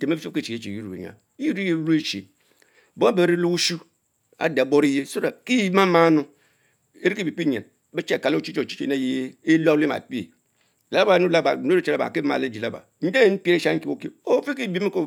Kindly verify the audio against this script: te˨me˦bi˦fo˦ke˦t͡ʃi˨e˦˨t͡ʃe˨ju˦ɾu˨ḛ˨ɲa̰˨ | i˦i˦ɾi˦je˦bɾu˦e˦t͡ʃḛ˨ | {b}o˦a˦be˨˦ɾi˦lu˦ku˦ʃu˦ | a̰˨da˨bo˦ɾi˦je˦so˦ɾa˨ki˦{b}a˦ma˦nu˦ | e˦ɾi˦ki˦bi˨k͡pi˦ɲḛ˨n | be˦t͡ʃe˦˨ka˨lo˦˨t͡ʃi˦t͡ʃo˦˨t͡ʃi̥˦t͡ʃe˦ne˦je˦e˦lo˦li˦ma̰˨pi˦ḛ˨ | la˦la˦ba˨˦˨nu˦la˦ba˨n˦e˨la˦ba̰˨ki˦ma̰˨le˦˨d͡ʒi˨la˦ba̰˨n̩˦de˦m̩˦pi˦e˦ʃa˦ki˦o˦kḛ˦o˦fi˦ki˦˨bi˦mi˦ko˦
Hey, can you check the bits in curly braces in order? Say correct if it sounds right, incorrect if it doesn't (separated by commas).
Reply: correct, incorrect